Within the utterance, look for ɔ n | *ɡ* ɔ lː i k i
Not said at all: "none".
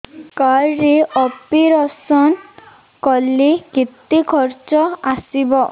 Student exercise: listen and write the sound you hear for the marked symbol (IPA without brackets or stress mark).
k